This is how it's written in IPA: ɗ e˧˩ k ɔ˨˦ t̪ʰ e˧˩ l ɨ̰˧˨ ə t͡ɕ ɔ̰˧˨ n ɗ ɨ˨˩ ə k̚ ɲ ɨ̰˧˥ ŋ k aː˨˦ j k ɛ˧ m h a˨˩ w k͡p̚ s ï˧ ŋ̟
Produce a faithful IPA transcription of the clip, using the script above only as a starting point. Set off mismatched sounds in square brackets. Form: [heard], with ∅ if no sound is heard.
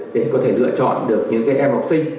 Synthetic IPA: ɗ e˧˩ k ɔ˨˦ t̪ʰ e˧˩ l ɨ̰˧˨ ə t͡ɕ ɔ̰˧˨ n ɗ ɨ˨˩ ə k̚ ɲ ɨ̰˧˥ ŋ k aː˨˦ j [ʔ] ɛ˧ m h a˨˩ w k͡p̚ s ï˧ ŋ̟